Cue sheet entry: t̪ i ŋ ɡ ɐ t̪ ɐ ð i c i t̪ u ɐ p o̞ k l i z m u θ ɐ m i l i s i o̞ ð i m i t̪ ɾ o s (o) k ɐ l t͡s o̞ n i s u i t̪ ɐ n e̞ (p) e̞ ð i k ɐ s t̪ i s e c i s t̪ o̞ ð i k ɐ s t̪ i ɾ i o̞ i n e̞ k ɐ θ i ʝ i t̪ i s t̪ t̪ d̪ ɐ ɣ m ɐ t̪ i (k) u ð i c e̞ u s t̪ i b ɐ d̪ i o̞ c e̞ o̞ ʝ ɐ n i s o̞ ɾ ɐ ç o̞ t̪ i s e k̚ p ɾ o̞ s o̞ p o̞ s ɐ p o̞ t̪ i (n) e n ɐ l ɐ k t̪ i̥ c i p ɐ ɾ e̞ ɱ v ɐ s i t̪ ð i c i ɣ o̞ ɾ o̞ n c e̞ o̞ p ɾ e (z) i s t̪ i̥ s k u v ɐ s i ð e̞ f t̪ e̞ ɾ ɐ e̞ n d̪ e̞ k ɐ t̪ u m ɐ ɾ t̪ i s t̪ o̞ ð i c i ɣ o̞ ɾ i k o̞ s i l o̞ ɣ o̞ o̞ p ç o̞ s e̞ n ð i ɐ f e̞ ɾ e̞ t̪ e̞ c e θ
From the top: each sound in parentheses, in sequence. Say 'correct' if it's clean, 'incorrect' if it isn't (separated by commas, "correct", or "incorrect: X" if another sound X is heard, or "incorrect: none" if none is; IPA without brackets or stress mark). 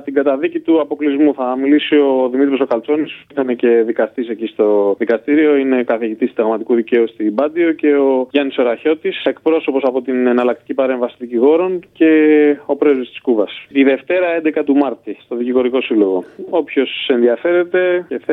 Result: correct, incorrect: c, correct, correct, correct